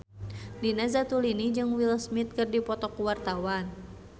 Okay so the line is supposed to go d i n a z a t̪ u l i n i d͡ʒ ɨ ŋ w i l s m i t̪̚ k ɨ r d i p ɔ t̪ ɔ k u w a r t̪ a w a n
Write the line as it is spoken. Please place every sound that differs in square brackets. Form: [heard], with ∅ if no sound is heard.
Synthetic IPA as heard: d i n a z a t̪ u l i n i d͡ʒ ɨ ŋ w i l s m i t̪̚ k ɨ r d i p ɔ t̪ ɔ k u w a r t̪ a w a n